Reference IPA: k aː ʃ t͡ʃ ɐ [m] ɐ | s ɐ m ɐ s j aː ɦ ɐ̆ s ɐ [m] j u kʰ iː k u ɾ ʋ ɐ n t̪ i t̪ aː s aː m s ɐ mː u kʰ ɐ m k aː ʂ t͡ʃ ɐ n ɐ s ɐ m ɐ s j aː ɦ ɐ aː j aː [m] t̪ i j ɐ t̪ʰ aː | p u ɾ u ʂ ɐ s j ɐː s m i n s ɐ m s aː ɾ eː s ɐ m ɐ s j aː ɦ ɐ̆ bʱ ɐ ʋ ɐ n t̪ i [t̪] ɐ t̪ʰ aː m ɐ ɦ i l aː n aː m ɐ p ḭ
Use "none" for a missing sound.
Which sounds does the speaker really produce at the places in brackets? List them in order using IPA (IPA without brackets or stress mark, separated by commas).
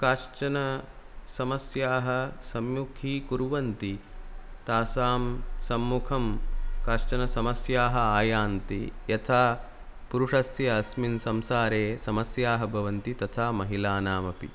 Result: n, m, n, t̪